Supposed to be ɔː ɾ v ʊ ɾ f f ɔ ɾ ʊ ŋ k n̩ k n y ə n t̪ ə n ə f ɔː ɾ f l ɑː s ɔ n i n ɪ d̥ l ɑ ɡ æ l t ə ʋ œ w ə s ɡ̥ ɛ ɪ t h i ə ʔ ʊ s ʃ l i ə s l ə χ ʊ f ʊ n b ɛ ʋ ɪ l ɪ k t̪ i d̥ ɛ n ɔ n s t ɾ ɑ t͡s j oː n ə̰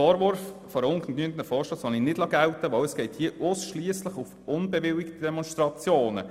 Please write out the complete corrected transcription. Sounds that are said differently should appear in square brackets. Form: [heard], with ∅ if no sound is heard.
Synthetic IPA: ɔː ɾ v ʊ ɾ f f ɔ ɾ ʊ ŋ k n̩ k n y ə n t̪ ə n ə f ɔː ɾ [ʃ] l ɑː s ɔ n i n ɪ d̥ l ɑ ɡ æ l t ə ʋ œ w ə s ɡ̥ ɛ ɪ t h i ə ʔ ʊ s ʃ l i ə s l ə χ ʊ f ʊ n b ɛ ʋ ɪ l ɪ k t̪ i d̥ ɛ [m] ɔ n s t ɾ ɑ t͡s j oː n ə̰